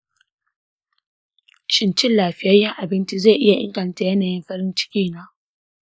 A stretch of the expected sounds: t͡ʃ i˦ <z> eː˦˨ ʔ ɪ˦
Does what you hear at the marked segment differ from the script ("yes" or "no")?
no